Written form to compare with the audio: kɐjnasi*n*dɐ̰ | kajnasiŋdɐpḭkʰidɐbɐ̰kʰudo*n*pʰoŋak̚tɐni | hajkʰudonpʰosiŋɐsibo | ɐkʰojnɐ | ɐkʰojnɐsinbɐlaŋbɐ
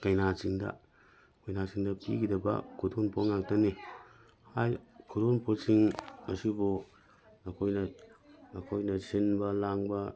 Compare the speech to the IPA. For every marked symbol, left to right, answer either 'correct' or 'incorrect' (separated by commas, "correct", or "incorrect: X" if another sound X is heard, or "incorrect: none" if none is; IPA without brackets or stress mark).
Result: incorrect: ŋ, correct